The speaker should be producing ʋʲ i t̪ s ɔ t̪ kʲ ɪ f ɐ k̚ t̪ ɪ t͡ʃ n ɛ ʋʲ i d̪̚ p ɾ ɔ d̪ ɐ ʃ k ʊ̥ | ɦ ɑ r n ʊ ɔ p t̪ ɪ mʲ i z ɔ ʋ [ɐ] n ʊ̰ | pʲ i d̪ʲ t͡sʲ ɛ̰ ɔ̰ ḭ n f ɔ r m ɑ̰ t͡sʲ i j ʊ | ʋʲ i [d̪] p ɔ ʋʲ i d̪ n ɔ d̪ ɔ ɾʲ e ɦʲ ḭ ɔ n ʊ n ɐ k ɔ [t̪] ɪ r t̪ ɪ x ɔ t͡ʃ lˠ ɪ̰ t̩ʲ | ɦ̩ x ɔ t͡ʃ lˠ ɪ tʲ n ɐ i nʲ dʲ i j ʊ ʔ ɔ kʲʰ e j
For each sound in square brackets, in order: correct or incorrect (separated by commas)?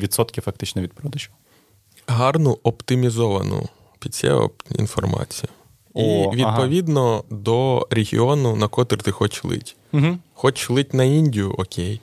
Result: correct, correct, correct